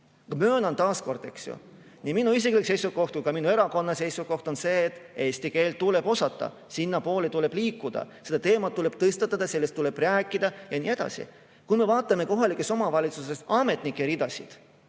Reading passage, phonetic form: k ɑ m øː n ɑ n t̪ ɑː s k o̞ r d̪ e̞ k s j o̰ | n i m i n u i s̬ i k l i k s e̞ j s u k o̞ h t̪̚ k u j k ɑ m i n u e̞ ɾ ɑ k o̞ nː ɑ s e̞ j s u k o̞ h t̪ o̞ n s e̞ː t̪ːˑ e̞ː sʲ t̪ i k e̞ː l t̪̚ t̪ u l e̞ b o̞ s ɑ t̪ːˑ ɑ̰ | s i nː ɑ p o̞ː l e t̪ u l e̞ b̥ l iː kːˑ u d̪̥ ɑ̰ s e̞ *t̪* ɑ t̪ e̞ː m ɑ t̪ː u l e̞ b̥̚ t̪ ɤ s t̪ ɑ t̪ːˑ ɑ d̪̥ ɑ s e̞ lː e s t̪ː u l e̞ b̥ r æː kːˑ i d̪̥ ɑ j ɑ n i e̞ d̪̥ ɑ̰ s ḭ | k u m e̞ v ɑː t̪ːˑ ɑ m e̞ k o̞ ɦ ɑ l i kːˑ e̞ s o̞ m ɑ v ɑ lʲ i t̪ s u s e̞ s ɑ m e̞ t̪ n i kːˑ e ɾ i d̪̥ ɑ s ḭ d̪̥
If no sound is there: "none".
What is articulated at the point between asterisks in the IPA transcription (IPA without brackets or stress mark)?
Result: d̪